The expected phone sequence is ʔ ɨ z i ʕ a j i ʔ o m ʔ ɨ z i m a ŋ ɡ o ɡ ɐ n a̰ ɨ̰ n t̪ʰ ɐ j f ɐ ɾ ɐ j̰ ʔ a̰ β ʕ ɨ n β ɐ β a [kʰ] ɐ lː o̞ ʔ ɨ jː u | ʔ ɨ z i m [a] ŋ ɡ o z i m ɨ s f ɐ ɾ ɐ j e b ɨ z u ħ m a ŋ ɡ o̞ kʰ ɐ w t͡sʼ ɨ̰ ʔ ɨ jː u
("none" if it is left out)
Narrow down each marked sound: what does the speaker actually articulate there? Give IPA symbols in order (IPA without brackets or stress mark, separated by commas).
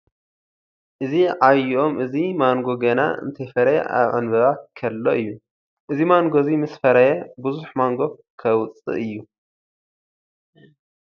kʰ, a